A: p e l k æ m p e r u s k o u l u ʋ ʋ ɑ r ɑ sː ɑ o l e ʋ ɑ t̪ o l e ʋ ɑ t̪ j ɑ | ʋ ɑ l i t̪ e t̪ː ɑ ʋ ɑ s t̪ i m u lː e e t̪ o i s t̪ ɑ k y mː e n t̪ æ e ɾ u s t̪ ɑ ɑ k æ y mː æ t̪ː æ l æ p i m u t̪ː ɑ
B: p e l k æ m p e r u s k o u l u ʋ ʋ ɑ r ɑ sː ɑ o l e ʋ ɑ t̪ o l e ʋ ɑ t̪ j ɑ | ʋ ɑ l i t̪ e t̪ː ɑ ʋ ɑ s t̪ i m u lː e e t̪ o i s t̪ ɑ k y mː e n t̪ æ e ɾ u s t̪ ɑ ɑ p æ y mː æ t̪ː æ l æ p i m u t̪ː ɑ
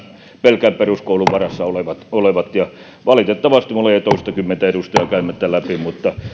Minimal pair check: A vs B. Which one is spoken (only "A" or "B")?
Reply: A